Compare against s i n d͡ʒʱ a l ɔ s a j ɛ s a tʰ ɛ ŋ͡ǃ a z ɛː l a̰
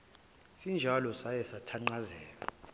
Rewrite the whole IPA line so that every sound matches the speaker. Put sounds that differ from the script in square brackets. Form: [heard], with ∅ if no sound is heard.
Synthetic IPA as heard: s i n d͡ʒʱ a l ɔ s a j ɛ s a tʰ [a] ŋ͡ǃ a z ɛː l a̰

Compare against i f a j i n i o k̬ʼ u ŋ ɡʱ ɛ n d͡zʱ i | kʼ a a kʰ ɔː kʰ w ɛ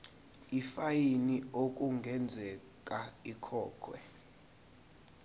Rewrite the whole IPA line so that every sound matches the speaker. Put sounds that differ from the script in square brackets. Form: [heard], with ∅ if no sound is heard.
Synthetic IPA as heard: i f a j i n i o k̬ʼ u ŋ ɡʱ ɛ n d͡zʱ [ɛ] | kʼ a [i] kʰ ɔː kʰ w ɛ

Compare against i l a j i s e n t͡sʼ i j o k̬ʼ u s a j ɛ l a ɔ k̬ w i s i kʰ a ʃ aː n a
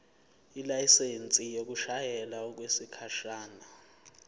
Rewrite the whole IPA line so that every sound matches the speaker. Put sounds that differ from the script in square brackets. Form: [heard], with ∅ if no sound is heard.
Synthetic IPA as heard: i l a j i s e n t͡sʼ i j o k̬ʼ u [ʃ] a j ɛ l a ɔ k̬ w [e] s i kʰ a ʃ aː n a

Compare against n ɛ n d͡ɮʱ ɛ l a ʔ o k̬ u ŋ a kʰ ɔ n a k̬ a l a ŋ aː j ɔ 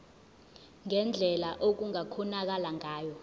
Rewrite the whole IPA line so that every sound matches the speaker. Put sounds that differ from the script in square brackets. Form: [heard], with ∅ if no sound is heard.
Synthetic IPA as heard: [ŋ] ɛ n d͡ɮʱ ɛ l a ʔ o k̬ u ŋ a kʰ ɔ n a k̬ a l a ŋ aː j ɔ

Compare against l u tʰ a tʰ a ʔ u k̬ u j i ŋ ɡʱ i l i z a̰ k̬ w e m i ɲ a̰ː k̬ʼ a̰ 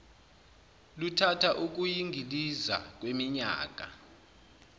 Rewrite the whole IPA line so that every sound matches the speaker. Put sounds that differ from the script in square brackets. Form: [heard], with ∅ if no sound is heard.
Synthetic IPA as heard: l u tʰ a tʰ a ʔ u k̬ u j i ŋ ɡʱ i l i z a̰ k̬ w e m i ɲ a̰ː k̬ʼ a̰

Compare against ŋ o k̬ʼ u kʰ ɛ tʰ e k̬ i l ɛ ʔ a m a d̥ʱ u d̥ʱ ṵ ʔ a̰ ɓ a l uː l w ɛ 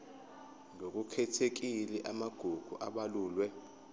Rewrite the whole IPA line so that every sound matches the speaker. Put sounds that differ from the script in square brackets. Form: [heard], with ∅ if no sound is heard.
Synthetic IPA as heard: ŋ o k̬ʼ u kʰ ɛ tʰ e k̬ i l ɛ ʔ a m a [ɡ̥ʱ] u [ɡ̥ʱ] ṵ ʔ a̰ ɓ a l uː l w ɛ

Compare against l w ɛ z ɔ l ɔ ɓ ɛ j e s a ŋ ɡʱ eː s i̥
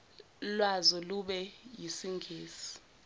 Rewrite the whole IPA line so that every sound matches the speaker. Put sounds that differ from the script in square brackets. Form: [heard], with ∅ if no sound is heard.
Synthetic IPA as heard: l w [a] z ɔ l [u] ɓ ɛ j [i] s [i] ŋ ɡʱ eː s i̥

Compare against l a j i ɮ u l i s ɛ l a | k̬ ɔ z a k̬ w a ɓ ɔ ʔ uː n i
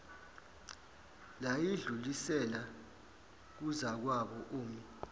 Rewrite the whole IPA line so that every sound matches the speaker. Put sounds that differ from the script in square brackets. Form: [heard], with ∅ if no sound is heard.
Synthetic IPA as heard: l a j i ɮ u l i s ɛ l a | k̬ [u] z a k̬ w a ɓ ɔ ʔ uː [m] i

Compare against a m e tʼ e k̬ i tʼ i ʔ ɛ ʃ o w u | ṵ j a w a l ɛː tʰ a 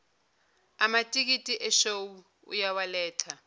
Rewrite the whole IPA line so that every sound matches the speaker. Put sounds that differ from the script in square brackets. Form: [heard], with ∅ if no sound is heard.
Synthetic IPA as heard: a m [a] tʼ [i] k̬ i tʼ i ʔ ɛ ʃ o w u | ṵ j a w a l ɛː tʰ a

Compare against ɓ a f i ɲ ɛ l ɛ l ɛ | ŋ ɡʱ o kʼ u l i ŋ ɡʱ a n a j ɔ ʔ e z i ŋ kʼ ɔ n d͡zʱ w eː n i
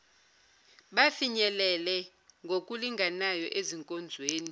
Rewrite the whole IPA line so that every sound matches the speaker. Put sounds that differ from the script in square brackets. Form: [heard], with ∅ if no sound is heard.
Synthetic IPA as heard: ɓ a f i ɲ ɛ l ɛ l ɛ | ŋ ɡʱ o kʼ u l i ŋ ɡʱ a n a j ɔ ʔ e z i ŋ kʼ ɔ n d͡zʱ w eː n i

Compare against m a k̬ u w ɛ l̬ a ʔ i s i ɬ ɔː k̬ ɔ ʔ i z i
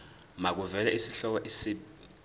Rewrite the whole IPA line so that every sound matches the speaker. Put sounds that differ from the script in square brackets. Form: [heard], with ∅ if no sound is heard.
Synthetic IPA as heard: m a k̬ u [v] ɛ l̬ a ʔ i s i ɬ [ɔ] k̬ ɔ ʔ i [s] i

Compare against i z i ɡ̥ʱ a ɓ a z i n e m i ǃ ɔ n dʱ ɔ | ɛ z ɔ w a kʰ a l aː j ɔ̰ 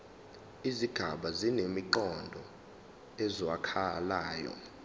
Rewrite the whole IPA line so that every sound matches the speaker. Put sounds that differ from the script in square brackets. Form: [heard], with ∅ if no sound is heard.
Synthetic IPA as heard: i z i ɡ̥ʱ a ɓ a z i n e m i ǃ ɔ n dʱ ɔ | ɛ z ɔ w a kʰ a l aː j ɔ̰

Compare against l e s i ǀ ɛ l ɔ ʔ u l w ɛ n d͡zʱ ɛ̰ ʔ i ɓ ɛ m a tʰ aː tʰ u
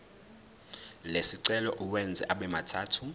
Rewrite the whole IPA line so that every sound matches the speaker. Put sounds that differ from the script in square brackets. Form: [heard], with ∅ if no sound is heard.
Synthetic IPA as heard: l e s i ǀ ɛ l ɔ ʔ u [∅] w ɛ n d͡zʱ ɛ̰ ʔ [a] ɓ ɛ m a tʰ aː tʰ u

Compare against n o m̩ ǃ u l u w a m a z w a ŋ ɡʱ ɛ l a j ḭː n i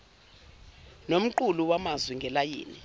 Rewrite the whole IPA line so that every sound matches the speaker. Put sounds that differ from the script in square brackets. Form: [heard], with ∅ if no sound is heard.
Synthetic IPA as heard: n o m̩ ǃ u l u w a m a z w [i] ŋ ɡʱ ɛ l a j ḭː n i

